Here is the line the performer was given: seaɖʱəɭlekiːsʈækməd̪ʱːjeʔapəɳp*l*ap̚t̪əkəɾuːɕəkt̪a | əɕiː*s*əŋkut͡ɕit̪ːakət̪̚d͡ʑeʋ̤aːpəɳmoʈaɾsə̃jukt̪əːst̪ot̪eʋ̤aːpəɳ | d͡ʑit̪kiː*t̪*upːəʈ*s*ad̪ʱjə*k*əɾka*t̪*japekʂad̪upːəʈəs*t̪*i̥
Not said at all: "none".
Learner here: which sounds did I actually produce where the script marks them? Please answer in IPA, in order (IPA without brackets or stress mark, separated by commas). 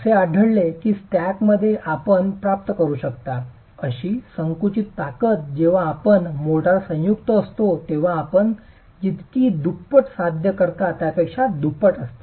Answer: ɾ, s, d̪, s, k, t̪, t̪